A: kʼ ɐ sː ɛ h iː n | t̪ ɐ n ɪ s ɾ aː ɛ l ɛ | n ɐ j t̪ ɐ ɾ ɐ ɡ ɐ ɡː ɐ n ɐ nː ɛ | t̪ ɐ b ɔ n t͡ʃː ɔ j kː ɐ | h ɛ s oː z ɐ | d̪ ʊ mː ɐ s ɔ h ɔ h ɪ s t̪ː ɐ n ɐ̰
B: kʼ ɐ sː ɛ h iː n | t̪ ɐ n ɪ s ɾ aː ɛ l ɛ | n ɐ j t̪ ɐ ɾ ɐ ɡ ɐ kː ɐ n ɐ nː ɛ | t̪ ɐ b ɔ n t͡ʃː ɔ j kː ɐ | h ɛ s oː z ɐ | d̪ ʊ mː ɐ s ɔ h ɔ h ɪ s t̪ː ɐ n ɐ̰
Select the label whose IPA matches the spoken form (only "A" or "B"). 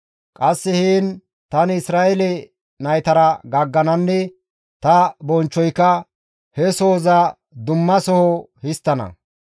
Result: A